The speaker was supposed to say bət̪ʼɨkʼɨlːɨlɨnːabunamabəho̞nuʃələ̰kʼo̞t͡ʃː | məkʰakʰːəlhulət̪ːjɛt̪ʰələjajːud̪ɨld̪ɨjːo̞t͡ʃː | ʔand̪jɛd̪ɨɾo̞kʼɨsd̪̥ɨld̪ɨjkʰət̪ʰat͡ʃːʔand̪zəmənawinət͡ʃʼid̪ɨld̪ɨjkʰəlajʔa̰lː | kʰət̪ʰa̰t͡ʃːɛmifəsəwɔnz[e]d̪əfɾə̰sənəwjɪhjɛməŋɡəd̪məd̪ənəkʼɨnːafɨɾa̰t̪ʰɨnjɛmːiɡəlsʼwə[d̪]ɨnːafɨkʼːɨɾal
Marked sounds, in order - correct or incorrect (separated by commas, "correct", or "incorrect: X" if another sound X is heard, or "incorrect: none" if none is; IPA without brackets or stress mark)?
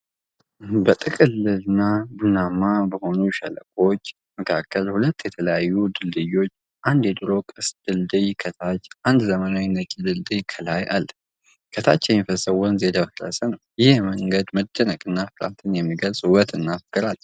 correct, incorrect: t̪